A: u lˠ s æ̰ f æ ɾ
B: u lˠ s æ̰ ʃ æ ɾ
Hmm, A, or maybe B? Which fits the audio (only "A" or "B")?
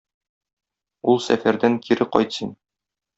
A